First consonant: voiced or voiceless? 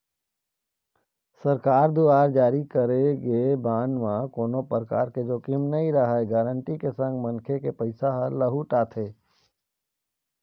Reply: voiceless